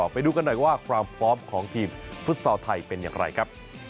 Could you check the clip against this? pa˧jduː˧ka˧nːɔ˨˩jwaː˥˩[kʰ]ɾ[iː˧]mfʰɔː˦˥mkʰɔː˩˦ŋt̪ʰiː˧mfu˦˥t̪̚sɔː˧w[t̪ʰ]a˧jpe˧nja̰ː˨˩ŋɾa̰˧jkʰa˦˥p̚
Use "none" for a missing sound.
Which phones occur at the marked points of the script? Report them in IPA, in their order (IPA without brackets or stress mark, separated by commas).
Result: kʰ, aː˧, t̪ʰ